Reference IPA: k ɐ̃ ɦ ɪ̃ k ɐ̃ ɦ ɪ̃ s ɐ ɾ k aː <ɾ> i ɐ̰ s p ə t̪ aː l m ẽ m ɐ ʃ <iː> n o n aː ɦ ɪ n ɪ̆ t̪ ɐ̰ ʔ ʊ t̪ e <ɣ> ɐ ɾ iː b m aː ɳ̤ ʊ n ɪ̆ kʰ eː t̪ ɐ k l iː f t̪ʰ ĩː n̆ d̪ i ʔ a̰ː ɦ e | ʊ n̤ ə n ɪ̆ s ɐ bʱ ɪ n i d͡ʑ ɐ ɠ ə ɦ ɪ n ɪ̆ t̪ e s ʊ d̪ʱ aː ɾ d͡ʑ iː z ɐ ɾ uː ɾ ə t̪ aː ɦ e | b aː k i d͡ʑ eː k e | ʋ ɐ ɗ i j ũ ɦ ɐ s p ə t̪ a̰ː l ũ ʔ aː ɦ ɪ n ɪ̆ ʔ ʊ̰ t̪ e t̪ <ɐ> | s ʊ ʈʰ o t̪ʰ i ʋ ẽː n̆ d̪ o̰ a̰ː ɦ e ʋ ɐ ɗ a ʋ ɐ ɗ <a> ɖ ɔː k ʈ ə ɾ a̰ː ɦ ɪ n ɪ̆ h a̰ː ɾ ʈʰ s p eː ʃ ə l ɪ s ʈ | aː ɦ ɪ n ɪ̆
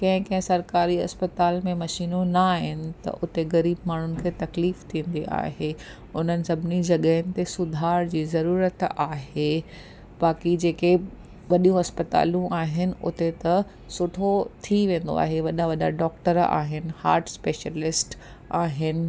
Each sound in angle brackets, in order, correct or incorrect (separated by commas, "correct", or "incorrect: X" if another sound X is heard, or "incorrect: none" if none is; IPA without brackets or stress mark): correct, correct, correct, correct, correct